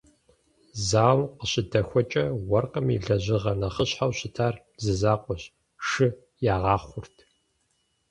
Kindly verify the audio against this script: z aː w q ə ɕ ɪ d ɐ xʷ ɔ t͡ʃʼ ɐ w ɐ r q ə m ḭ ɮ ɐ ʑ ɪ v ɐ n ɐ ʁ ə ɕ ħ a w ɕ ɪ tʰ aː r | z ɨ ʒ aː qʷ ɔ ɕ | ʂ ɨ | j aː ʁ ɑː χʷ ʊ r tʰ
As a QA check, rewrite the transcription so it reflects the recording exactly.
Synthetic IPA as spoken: z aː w q ə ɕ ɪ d ɐ xʷ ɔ t͡ʃʼ ɐ w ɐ r q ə m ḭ ɮ ɐ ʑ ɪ ʁ ɐ n ɐ χ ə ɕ ħ a w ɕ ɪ tʰ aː r | z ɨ z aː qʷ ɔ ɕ | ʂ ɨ | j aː ʁ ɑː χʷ ʊ r tʰ